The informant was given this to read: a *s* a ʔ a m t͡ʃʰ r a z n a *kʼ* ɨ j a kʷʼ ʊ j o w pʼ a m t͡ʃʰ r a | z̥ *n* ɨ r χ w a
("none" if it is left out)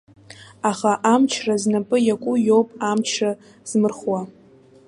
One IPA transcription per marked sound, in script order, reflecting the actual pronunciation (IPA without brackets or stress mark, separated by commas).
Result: χ, pʼ, m